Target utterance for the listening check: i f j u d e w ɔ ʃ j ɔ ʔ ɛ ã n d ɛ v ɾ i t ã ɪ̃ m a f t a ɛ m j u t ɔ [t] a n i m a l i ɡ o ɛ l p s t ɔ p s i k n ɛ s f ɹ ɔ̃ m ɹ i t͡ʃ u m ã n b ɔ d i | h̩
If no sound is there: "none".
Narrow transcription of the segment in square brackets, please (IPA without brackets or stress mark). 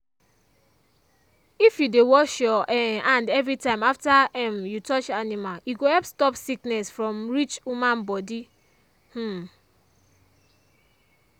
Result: t͡ʃ